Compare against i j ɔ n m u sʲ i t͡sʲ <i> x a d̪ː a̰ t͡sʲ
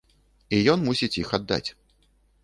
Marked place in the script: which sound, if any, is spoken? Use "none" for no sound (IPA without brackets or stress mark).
i